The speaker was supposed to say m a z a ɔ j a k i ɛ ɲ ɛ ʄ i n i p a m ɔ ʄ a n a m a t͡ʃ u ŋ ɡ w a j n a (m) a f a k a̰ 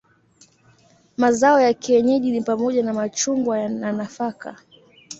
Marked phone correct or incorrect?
incorrect